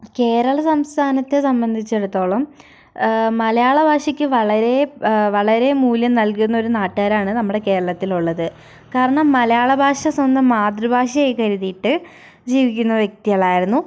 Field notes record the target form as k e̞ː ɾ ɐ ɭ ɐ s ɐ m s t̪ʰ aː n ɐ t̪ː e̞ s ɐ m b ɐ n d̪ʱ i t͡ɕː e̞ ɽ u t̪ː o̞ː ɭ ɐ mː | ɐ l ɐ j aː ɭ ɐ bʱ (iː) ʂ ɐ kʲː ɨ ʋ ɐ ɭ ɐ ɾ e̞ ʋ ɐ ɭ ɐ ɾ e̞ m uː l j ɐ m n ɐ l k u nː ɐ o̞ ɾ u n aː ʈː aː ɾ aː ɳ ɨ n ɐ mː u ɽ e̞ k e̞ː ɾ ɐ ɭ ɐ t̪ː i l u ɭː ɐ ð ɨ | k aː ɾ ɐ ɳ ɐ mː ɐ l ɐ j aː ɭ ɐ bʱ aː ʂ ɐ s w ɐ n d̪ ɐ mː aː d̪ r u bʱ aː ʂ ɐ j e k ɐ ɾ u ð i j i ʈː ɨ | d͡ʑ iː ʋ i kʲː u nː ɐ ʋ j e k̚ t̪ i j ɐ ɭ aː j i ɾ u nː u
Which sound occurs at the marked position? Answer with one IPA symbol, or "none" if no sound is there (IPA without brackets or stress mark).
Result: aː